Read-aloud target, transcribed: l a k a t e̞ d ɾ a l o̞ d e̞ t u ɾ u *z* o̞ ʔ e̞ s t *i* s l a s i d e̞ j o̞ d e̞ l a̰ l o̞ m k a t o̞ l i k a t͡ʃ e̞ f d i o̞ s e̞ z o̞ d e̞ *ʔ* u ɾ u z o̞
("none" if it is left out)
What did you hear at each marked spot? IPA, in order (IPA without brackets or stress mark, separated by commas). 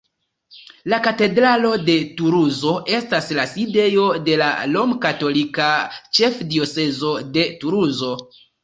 z, a, t